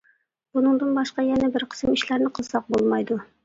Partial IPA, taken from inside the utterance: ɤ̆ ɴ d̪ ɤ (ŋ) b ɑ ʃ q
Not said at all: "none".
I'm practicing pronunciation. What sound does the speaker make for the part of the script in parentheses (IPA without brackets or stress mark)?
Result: n